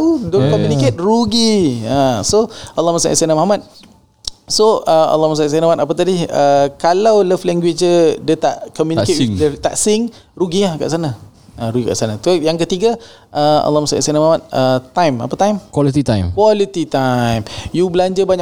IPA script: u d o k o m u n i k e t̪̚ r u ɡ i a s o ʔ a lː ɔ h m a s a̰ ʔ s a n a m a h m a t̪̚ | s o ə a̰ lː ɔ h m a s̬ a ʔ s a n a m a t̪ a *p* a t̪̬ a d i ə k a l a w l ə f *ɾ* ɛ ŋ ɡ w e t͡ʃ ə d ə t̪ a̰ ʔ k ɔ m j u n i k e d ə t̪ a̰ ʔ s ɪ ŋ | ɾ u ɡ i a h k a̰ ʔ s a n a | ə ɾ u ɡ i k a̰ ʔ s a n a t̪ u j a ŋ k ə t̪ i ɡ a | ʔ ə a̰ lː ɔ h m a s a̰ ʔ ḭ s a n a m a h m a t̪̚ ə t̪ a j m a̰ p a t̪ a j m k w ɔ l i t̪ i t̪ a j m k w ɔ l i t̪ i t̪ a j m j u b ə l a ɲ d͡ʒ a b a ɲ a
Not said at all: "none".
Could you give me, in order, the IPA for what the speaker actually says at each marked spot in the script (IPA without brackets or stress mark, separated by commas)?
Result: p, l